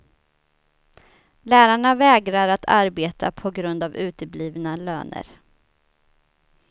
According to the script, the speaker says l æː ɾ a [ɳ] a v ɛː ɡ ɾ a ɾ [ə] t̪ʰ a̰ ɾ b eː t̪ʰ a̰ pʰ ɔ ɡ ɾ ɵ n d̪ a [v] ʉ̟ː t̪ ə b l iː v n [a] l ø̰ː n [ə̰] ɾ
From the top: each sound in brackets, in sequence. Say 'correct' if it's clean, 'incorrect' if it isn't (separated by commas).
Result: correct, incorrect, correct, correct, correct